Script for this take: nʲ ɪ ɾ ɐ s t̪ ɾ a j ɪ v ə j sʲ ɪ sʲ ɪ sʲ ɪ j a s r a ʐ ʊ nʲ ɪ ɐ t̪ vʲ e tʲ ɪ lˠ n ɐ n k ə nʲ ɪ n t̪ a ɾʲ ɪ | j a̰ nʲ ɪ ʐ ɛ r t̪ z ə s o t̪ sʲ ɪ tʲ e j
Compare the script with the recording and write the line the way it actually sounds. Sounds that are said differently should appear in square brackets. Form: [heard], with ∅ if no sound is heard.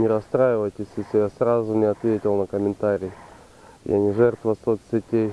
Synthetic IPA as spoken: nʲ ɪ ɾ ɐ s t̪ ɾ a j ɪ v ə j [tʲ] ɪ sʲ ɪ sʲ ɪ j a s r a [z] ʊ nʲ ɪ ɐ t̪ vʲ e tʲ ɪ lˠ n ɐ [∅] k ə [mʲ] ɪ n t̪ a ɾʲ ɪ | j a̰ nʲ ɪ ʐ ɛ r t̪ [v] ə s o t̪ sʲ ɪ tʲ e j

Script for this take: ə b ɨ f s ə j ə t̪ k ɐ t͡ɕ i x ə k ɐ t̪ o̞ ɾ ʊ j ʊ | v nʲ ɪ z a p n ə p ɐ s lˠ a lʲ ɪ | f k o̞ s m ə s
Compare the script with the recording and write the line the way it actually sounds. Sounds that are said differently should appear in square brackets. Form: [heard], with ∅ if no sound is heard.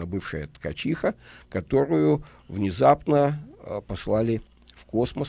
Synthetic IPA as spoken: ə b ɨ f [ʂ] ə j ə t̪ k ɐ t͡ɕ i x ə k ɐ t̪ o̞ ɾ ʊ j ʊ | v nʲ ɪ z a p n ə p ɐ s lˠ a lʲ ɪ | f k o̞ s m ə s

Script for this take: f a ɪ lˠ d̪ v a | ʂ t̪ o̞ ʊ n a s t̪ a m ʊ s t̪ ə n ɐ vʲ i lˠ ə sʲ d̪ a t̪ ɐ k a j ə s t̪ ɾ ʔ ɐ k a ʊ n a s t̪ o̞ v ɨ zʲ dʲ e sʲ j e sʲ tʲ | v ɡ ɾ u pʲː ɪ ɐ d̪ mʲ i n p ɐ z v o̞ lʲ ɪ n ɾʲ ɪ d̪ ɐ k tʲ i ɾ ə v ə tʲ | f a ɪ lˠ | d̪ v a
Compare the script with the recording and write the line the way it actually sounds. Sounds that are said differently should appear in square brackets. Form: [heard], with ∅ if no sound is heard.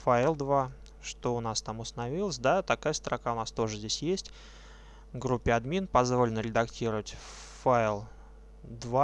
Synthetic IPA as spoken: f a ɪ lˠ d̪ v a | ʂ t̪ o̞ ʊ n a s t̪ a m ʊ s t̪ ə n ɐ vʲ i lˠ ə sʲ d̪ a t̪ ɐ k a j ə s t̪ ɾ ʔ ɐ k a ʊ n a s t̪ o̞ [ʐ] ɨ zʲ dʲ e sʲ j e sʲ tʲ | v ɡ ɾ u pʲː ɪ ɐ d̪ mʲ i n p ɐ z v o̞ lʲ ɪ n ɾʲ ɪ d̪ ɐ k tʲ i ɾ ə v ə tʲ | f a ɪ lˠ | d̪ v a

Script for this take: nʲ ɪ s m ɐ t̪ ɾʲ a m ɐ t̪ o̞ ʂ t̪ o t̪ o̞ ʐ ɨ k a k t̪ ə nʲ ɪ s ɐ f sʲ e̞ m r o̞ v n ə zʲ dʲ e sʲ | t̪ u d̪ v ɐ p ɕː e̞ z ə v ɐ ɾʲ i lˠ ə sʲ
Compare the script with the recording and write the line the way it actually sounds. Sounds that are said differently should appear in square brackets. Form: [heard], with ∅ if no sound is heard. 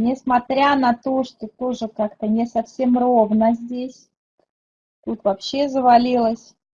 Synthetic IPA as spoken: nʲ ɪ s m ɐ t̪ ɾʲ a [n] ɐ t̪ o̞ ʂ t̪ o t̪ o̞ ʐ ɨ k a k t̪ ə nʲ ɪ s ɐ f sʲ e̞ m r o̞ v n ə zʲ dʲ e sʲ | t̪ u [t̪] v ɐ p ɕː e̞ z ə v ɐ [lʲ] i lˠ ə sʲ

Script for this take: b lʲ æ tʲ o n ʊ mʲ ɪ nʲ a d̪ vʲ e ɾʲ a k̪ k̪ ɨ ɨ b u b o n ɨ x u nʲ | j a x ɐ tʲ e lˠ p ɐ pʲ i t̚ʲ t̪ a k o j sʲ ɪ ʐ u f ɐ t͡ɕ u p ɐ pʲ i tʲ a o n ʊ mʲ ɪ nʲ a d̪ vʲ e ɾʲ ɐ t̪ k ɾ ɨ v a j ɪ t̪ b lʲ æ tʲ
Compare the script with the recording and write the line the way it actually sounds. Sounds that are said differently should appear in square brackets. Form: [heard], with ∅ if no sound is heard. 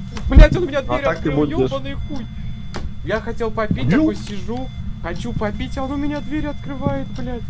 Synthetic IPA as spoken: b lʲ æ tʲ o n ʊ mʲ ɪ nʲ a d̪ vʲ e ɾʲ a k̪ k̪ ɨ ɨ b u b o n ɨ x u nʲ | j a x ɐ tʲ e lˠ p ɐ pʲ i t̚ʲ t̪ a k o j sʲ ɪ ʐ u [x] ɐ t͡ɕ u p ɐ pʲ i tʲ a o n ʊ mʲ ɪ nʲ a d̪ vʲ e ɾʲ ɐ t̪ k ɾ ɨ v a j ɪ t̪ b lʲ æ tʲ

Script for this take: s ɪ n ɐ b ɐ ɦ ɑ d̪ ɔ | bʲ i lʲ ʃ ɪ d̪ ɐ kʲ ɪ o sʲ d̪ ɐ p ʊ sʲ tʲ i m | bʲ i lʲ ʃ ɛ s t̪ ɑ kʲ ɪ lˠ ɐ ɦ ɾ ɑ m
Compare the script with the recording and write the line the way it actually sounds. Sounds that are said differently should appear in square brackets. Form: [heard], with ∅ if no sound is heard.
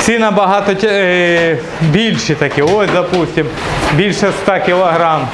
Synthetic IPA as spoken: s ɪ n ɐ b ɐ ɦ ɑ [t̪] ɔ | bʲ i lʲ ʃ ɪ [t̪] ɐ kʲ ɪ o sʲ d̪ ɐ p [u] sʲ tʲ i m | bʲ i lʲ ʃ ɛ s t̪ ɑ kʲ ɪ lˠ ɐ ɦ ɾ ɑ m

